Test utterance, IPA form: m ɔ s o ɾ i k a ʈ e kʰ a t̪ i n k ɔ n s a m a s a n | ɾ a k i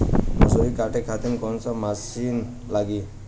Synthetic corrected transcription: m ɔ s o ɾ i k a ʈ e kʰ a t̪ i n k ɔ n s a m a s i n | l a ɡ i